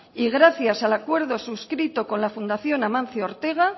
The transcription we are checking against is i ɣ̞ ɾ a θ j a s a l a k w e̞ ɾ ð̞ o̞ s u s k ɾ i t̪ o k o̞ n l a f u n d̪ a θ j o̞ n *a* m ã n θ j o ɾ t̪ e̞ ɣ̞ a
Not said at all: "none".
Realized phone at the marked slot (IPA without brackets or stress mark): a